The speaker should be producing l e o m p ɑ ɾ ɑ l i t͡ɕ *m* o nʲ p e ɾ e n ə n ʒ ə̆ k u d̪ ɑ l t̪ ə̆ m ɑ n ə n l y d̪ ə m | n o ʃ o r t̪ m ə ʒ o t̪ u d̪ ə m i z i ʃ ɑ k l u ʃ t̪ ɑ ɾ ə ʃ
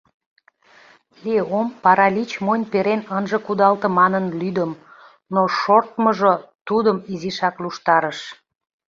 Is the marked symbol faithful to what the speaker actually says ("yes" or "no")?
yes